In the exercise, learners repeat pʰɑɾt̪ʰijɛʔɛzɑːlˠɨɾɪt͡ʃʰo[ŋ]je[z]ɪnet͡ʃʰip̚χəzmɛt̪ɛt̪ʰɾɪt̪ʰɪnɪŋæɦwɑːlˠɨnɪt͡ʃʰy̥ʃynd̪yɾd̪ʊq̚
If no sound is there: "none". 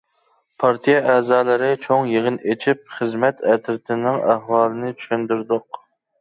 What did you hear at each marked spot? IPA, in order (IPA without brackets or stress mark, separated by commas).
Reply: ŋ, ʁ